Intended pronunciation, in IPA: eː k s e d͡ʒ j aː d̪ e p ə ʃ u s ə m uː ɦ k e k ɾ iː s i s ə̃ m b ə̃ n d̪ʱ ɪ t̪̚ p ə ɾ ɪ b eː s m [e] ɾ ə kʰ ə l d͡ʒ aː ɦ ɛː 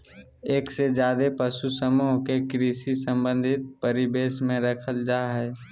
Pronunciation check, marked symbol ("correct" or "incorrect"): incorrect